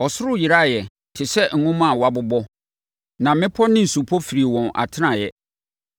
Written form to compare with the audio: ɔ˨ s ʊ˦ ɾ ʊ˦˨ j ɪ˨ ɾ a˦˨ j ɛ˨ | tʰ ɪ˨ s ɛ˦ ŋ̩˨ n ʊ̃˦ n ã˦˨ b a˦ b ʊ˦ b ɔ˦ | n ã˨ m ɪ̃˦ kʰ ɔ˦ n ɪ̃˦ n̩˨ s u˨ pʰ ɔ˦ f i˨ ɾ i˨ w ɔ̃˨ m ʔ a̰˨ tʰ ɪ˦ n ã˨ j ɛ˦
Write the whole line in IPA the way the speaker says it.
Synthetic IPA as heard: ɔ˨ s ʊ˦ ɾ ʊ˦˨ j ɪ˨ ɾ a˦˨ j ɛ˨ | tʰ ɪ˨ s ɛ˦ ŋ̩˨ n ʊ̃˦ m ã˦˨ w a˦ b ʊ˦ b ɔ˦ | n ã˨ m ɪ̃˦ pʰ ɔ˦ n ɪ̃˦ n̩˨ s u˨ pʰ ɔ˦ f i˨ ɾ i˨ w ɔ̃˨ n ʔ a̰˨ tʰ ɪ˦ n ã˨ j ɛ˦